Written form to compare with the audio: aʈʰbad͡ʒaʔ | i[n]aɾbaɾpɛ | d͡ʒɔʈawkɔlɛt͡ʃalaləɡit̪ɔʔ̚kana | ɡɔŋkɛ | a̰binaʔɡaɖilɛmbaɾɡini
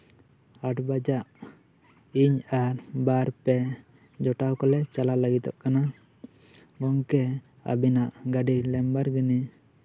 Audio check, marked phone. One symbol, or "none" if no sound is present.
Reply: ɲ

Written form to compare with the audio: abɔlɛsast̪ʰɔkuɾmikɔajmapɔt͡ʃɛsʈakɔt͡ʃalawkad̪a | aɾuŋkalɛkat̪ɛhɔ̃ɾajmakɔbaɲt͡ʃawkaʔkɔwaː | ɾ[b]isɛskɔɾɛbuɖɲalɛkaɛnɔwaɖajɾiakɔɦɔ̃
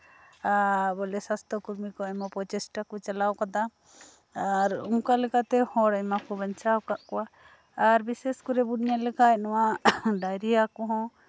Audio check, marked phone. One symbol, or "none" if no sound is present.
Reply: b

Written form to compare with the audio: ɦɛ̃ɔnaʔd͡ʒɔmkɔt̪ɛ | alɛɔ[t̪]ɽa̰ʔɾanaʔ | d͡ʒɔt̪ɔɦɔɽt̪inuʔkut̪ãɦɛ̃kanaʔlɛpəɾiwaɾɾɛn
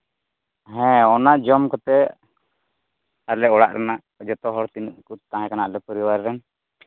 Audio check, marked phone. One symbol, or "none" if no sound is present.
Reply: none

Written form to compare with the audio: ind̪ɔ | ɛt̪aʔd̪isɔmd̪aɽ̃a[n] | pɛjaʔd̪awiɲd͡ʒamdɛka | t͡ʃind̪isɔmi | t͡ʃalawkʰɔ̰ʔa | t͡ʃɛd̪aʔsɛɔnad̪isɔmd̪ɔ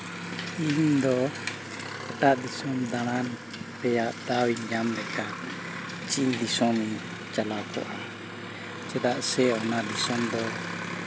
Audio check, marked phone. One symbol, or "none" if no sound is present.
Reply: n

